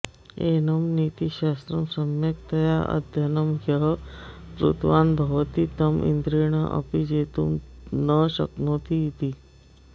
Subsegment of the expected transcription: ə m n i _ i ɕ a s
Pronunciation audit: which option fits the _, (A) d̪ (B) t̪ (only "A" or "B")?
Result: B